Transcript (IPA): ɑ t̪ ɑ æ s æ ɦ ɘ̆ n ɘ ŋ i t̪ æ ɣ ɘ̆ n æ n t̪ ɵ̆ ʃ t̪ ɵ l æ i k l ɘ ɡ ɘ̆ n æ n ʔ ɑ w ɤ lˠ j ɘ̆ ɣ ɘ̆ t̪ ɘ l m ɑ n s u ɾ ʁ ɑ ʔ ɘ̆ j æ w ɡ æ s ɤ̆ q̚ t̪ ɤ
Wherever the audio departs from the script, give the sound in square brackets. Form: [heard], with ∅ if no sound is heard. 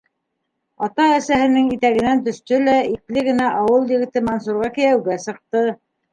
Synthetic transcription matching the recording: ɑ t̪ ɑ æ s æ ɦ ɘ̆ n ɘ ŋ i t̪ æ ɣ ɘ̆ n æ n t̪ ɵ̆ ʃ t̪ ɵ l æ i k l ɘ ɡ ɘ̆ n æ [∅] ʔ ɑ w ɤ lˠ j ɘ̆ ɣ ɘ̆ t̪ ɘ [∅] m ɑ n s u ɾ ʁ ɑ [k] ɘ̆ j æ w ɡ æ s ɤ̆ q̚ t̪ ɤ